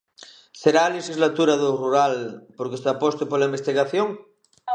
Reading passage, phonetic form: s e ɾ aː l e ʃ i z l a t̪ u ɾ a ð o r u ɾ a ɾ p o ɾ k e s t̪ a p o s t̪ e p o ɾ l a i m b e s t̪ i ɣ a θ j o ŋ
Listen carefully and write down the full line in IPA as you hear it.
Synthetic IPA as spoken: s e ɾ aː l e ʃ i z l a t̪ u ɾ a ð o r u ɾ a l p o ɾ k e s t̪ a p o s t̪ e p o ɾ l a i m b e s t̪ i ɣ a θ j o ŋ